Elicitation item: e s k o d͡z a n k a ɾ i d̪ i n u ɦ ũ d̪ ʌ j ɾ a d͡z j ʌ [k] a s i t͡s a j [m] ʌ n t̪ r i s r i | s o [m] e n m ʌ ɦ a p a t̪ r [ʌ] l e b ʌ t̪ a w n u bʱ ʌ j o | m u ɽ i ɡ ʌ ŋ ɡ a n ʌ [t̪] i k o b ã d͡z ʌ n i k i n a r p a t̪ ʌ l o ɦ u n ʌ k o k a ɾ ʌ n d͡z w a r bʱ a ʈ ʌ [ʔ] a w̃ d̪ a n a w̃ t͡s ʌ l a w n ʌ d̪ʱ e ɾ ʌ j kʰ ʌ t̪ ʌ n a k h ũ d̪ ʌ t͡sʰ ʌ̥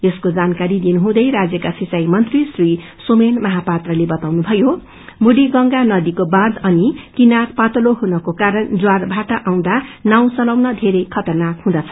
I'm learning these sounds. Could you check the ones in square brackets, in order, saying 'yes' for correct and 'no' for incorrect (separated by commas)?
yes, yes, yes, yes, no, yes